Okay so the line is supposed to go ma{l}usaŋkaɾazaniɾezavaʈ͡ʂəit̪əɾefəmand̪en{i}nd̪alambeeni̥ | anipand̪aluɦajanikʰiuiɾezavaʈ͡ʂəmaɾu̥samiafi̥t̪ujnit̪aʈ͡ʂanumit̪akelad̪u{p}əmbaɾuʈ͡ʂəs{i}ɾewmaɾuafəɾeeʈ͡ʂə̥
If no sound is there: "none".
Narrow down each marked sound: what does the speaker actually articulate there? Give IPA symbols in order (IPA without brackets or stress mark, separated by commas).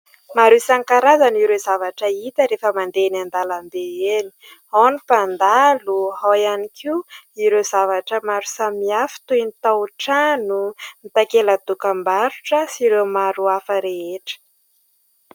ɾ, a, k, i